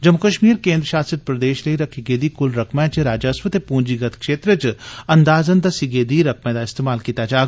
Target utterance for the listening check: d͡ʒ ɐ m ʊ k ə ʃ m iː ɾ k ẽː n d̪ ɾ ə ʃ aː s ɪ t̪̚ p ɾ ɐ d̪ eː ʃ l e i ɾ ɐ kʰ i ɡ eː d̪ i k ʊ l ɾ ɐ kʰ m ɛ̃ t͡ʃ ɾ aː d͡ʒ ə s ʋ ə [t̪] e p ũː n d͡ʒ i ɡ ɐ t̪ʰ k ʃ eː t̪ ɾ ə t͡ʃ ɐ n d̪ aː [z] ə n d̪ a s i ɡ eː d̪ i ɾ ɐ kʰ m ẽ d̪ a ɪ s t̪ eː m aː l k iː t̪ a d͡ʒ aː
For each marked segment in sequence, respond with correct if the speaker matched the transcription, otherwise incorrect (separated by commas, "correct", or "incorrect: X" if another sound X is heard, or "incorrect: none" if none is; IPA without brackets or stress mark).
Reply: correct, correct